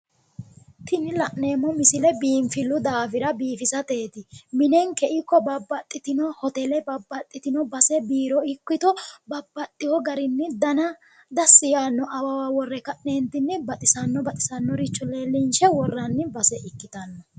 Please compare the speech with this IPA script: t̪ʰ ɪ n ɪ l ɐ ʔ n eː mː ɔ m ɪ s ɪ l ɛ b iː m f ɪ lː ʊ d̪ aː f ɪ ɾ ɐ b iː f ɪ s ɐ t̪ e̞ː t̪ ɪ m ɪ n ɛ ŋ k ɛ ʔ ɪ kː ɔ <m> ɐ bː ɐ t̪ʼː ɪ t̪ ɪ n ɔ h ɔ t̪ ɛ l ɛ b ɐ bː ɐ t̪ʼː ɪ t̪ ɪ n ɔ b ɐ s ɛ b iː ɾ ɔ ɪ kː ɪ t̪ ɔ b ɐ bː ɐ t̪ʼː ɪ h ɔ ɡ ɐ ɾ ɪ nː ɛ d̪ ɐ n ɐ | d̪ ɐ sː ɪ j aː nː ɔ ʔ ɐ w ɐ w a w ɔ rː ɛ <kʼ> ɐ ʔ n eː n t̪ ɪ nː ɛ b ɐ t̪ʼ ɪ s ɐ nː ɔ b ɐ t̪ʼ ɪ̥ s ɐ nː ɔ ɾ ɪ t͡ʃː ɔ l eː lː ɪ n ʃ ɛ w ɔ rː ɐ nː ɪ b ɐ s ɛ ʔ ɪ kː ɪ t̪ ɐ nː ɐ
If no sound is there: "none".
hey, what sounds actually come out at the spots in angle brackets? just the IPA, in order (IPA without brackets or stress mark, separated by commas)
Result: b, k